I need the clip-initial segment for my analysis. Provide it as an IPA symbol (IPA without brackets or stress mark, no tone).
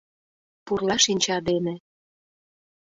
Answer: p